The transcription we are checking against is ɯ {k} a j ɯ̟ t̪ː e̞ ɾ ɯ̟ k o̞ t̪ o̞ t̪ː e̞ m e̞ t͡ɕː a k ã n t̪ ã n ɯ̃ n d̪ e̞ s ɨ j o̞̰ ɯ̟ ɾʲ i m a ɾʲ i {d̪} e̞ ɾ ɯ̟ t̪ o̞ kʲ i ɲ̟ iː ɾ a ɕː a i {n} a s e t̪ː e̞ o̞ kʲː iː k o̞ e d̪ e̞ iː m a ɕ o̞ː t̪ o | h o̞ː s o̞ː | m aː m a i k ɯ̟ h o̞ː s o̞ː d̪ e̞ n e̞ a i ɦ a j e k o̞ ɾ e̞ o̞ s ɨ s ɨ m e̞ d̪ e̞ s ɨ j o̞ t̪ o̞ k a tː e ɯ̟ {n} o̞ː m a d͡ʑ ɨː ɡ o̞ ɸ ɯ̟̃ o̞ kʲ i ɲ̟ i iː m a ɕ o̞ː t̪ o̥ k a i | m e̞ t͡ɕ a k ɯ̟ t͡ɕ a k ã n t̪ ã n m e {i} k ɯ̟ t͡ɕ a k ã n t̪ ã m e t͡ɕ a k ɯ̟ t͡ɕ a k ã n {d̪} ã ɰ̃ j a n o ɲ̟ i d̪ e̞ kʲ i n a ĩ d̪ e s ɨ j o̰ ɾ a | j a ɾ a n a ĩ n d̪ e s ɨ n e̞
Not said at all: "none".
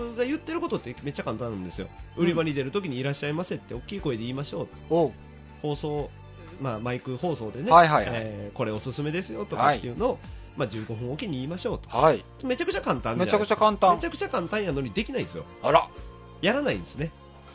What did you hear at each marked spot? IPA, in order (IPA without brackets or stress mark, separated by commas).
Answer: ɡ, d̪, m, n, a, t̪